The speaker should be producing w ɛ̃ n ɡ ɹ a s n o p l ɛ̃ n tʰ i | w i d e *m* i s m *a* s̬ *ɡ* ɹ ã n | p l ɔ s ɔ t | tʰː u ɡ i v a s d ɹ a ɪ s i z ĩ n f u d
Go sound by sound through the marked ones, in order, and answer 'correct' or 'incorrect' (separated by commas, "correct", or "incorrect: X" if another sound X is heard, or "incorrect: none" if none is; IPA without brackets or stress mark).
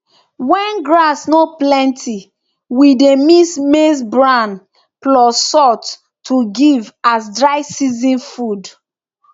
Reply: correct, incorrect: e, incorrect: b